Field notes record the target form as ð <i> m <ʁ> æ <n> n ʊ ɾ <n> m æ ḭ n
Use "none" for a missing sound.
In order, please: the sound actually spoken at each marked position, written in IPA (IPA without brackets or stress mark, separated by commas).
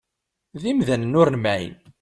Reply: i, ð, n, n